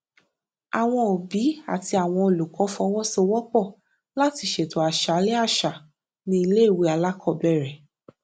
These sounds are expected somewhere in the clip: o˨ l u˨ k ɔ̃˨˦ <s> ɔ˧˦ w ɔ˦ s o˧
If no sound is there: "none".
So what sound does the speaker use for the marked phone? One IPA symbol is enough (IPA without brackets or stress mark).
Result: f